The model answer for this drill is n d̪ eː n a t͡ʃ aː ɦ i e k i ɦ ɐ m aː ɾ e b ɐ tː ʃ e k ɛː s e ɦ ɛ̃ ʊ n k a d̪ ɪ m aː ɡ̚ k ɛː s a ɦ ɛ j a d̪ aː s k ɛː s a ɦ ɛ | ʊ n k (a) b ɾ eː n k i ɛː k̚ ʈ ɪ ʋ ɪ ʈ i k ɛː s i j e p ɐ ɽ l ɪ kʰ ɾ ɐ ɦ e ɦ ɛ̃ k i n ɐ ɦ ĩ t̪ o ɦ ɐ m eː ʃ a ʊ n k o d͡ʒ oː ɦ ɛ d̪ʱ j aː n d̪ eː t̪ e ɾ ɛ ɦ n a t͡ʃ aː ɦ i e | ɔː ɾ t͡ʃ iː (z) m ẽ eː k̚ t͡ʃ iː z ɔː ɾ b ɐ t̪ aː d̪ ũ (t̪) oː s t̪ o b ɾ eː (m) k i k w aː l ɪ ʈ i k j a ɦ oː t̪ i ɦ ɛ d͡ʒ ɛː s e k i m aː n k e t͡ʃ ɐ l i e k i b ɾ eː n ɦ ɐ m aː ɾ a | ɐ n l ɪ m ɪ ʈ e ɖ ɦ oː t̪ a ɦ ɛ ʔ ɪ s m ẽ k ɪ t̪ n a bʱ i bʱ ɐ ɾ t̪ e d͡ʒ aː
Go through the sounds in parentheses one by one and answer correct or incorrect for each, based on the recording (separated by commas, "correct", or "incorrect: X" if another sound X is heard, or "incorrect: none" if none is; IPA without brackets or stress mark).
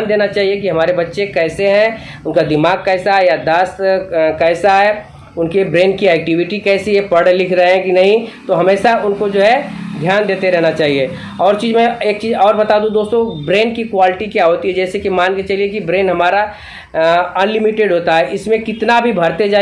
incorrect: e, correct, incorrect: d̪, incorrect: n